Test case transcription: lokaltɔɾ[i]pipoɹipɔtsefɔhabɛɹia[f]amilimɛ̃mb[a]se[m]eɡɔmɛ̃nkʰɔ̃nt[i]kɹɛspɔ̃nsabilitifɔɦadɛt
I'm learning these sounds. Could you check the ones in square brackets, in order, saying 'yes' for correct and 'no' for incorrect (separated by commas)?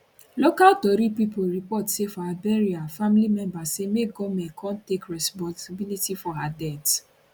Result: yes, yes, yes, yes, no